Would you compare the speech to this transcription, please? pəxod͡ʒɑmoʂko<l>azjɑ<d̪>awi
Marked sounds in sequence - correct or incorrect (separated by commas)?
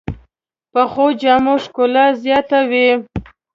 correct, incorrect